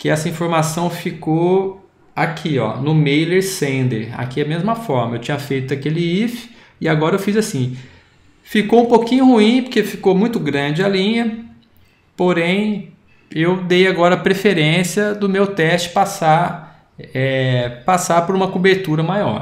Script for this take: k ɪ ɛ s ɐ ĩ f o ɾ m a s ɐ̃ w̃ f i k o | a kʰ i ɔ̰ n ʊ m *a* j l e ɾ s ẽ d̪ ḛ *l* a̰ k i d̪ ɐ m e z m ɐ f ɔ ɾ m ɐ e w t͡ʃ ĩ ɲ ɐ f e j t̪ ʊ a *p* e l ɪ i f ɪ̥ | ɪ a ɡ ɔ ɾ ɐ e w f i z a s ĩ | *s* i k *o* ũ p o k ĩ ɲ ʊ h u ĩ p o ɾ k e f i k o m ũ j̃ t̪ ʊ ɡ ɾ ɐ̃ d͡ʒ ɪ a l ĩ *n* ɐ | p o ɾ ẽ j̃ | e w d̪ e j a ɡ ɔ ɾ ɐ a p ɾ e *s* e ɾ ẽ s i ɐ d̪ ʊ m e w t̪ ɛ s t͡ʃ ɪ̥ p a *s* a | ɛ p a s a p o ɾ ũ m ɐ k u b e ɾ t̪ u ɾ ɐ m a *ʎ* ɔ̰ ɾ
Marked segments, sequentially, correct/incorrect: incorrect, incorrect, incorrect, incorrect, correct, incorrect, incorrect, correct, incorrect

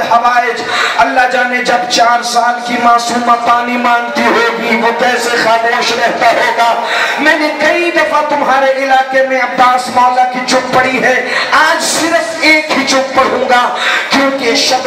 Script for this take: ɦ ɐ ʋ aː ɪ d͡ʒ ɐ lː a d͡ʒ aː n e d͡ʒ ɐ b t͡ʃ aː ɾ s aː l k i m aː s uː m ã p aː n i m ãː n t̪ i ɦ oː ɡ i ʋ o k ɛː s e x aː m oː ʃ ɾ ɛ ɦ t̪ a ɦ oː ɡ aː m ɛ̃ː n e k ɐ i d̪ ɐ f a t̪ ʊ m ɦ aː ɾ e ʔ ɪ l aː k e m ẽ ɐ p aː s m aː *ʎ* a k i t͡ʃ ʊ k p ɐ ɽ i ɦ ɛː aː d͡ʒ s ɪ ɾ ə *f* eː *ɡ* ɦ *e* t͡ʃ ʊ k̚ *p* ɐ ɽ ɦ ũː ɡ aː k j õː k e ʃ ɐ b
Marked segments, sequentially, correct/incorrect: incorrect, correct, incorrect, incorrect, correct

